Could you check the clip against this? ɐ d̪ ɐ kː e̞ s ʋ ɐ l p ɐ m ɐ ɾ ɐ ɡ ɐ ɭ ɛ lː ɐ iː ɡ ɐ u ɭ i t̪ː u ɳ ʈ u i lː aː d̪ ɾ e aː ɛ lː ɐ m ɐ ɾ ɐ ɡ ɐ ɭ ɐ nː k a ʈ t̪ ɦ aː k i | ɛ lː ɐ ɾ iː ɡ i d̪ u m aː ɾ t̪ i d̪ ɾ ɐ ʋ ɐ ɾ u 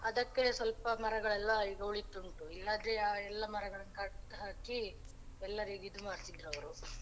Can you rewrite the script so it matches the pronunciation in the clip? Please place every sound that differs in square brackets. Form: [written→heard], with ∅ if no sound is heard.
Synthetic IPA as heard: ɐ d̪ ɐ kː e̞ s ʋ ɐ l p ɐ m ɐ ɾ ɐ ɡ ɐ ɭ ɛ lː ɐ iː ɡ ɐ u ɭ i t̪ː u ɳ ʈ u i lː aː d̪ ɾ e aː ɛ lː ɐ m ɐ ɾ ɐ ɡ ɐ ɭ ɐ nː k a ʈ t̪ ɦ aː k i | ɛ lː ɐ ɾ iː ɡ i d̪ u m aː ɾ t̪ i d̪ ɾ ɐ ʋ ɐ ɾ u